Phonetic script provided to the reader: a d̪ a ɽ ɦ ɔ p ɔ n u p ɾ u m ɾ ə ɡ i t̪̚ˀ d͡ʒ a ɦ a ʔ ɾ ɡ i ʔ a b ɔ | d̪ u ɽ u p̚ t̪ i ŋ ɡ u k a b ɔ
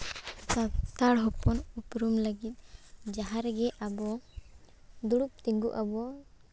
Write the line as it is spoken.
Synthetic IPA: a t̪ a ɽ ɦ ɔ p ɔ n u p ɾ u m l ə ɡ i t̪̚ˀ d͡ʒ a ɦ a ɾ ɡ ɛ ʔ a b ɔ | d̪ u ɽ u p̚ t̪ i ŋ ɡ u ʔ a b ɔ